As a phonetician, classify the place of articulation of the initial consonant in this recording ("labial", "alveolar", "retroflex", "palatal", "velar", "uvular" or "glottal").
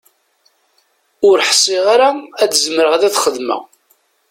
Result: alveolar